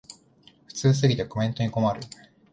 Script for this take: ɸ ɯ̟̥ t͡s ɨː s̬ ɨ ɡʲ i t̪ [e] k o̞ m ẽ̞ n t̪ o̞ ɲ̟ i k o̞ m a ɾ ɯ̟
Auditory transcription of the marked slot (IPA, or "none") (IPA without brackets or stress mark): e